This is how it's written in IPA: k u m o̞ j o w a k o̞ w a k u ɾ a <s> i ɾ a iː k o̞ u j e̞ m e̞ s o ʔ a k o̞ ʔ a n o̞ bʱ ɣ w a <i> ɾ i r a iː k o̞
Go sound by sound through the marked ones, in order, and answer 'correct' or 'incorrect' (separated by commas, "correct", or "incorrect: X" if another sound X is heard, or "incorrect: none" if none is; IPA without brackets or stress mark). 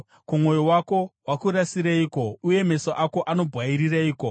correct, correct